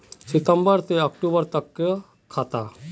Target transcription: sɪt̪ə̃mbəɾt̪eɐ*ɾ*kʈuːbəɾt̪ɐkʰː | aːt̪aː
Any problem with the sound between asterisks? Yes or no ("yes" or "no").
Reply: yes